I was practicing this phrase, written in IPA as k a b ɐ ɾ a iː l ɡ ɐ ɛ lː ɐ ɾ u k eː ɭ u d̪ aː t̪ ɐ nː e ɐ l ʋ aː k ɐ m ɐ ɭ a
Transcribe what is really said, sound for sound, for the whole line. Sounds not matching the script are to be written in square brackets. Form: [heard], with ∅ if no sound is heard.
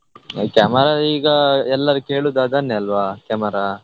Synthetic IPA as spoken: k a [m] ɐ ɾ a iː [∅] ɡ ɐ ɛ lː ɐ ɾ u k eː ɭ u d̪ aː [d̪] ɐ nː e ɐ l ʋ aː k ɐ m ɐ [ɾ] a